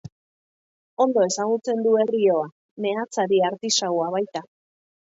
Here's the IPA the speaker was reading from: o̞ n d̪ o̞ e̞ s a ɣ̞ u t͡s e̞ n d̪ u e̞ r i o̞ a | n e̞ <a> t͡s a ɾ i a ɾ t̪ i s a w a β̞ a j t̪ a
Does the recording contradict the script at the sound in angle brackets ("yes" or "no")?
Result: no